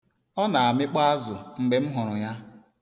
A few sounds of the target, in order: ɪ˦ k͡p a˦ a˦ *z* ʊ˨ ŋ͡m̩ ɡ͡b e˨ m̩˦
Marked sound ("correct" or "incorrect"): correct